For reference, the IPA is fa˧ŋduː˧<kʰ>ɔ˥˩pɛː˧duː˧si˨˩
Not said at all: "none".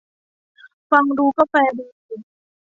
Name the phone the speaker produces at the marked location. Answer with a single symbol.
k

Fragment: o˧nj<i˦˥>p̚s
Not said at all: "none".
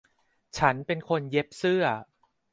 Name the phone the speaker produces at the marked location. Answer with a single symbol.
e˦˥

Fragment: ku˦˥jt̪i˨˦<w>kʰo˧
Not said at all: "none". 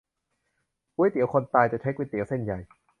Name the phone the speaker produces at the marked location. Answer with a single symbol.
w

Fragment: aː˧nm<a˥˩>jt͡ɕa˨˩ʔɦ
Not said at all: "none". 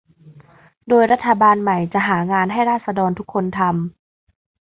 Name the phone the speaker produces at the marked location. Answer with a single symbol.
a˨˩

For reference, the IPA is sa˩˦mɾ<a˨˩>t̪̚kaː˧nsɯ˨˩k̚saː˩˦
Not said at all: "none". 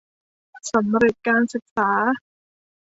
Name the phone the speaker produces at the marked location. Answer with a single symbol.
e˨˩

